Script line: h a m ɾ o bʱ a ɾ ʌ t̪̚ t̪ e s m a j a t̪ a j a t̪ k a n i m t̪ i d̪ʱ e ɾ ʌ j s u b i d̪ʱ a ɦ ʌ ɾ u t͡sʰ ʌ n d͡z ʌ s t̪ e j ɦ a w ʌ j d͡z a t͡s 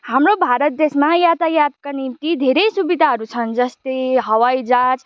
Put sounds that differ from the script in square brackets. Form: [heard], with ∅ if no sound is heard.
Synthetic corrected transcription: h a m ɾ o bʱ a ɾ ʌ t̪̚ [d̪] e s m a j a t̪ a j a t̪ k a n i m t̪ i d̪ʱ e ɾ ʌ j s u b i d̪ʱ a ɦ ʌ ɾ u t͡sʰ ʌ n d͡z ʌ s t̪ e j ɦ [ʌ] w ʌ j d͡z a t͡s